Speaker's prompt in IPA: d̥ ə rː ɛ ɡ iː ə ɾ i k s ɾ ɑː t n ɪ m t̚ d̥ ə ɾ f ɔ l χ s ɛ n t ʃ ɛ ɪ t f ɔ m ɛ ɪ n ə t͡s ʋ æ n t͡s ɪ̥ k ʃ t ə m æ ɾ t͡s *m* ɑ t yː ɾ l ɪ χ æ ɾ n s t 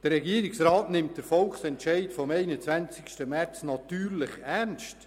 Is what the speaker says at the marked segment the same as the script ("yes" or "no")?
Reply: no